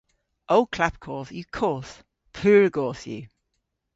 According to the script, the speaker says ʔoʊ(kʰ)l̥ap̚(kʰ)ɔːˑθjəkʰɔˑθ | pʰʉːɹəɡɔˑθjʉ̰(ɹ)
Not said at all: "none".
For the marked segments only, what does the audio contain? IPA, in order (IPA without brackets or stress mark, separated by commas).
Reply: kʰ, kʰ, none